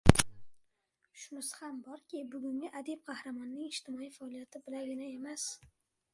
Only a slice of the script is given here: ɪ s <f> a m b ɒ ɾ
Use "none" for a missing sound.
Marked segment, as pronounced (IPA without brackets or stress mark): h